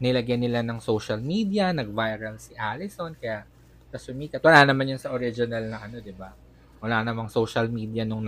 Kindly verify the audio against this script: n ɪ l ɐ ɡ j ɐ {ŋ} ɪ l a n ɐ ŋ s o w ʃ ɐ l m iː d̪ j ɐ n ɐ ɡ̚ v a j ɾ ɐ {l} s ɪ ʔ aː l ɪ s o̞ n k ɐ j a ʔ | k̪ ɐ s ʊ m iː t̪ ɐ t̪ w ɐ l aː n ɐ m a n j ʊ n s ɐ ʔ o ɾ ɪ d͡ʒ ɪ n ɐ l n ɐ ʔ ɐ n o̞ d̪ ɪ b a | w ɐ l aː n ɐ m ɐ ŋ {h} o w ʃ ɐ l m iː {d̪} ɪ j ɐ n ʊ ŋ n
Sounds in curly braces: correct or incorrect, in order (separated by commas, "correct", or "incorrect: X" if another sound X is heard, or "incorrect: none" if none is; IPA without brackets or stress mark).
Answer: incorrect: n, correct, incorrect: s, correct